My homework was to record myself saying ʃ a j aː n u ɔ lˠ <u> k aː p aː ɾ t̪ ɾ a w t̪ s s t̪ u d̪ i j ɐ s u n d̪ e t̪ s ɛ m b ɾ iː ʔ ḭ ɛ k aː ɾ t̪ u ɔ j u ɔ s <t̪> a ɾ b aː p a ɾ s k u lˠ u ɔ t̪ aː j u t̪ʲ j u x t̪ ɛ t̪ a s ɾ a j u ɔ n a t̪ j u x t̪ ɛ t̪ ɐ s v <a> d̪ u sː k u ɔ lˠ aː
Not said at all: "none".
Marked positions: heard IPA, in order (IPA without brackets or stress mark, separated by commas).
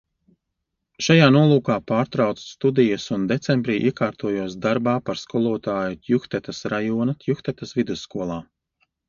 uː, d̪, i